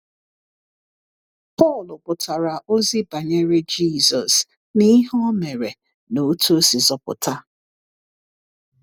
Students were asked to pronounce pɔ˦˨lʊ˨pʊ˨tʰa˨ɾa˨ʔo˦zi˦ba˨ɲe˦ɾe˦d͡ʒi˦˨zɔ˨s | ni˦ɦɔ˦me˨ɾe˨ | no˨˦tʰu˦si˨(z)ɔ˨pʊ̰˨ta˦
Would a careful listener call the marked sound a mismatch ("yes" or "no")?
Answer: no